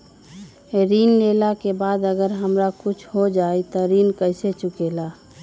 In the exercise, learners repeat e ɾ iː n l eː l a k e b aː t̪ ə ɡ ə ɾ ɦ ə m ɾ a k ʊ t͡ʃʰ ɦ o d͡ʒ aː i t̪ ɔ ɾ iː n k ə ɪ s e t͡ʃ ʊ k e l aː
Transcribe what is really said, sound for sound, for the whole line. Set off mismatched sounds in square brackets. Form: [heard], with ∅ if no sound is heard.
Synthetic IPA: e ɾ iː n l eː l a k e b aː [d̪] ə ɡ ə ɾ ɦ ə m ɾ a k ʊ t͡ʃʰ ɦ o d͡ʒ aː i t̪ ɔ ɾ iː n k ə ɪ s e t͡ʃ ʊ k e l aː